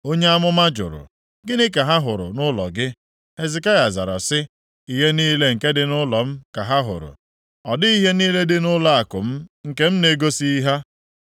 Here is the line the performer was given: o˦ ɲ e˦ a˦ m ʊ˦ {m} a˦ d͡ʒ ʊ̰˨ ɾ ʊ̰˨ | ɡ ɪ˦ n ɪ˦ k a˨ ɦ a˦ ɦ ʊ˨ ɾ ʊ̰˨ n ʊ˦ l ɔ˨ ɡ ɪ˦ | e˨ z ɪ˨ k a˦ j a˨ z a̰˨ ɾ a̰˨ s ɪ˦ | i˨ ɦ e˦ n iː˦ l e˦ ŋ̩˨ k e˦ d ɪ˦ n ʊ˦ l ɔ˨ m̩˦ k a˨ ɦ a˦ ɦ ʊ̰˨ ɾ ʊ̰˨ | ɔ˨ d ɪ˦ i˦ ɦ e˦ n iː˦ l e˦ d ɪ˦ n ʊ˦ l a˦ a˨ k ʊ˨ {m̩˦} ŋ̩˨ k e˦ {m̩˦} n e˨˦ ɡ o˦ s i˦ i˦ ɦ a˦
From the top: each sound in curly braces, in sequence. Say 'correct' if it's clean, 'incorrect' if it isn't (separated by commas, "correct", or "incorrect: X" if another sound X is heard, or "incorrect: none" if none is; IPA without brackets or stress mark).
correct, correct, correct